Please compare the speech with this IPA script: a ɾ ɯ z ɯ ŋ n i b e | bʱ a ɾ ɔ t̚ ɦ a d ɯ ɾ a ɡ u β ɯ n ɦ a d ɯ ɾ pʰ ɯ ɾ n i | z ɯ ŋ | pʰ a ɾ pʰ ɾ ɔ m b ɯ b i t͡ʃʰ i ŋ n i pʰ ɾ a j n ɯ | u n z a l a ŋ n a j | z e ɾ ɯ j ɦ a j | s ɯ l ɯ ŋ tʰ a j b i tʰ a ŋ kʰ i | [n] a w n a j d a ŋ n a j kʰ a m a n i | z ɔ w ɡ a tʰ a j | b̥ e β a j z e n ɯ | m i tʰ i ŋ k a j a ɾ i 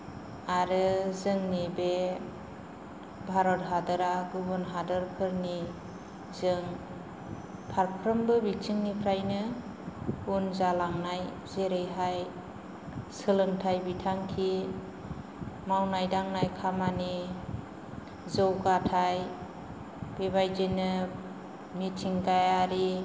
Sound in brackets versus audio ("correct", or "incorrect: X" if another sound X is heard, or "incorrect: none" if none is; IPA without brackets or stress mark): incorrect: m